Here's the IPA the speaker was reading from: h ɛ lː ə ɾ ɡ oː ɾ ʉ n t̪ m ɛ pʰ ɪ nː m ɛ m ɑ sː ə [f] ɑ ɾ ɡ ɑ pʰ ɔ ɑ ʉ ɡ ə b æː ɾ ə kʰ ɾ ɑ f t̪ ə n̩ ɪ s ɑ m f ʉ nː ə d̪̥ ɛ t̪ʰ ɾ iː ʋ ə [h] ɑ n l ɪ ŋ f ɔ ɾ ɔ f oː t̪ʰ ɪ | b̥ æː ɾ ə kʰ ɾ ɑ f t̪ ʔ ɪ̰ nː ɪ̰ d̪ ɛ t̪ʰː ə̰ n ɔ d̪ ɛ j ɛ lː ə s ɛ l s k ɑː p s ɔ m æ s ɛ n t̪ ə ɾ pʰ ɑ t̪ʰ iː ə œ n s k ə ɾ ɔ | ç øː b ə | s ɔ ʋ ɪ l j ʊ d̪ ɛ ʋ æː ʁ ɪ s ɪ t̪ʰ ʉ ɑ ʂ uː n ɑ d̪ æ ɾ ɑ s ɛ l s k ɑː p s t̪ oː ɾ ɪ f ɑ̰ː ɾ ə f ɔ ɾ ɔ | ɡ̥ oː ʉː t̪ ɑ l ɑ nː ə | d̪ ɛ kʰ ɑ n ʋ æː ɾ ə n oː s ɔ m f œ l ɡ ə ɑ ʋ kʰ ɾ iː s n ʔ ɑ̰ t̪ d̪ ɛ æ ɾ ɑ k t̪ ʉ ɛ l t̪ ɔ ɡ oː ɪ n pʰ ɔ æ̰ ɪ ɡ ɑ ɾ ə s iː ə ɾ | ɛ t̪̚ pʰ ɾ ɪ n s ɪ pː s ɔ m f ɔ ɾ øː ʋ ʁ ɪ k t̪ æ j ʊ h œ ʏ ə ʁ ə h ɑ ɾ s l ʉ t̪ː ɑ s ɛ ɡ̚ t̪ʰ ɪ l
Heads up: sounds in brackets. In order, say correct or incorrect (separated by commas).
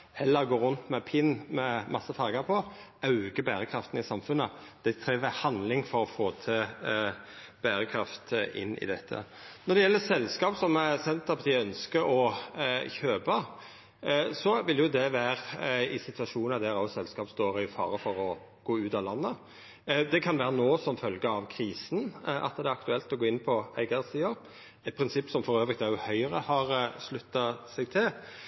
correct, correct